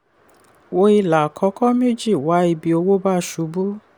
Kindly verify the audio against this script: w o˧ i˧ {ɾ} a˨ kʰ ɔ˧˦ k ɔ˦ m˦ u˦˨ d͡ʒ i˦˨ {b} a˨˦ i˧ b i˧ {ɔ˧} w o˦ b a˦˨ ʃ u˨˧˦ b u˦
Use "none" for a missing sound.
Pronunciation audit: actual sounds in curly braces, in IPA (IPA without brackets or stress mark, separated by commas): l, w, o˧